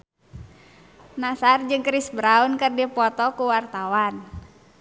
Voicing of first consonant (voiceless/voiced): voiced